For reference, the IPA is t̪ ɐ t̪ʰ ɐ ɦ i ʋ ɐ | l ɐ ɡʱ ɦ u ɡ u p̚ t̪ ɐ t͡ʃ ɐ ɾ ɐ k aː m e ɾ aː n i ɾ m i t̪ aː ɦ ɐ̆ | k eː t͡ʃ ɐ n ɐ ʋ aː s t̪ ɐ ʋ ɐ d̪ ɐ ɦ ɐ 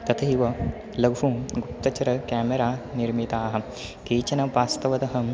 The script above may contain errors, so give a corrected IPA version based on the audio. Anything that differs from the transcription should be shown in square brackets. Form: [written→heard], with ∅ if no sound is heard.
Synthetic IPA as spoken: t̪ ɐ t̪ʰ ɐ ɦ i ʋ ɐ | l ɐ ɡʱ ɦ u ɡ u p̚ t̪ ɐ t͡ʃ ɐ ɾ ɐ k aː m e ɾ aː n i ɾ m i t̪ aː ɦ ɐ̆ | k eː t͡ʃ ɐ n ɐ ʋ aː s t̪ ɐ ʋ ɐ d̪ ɐ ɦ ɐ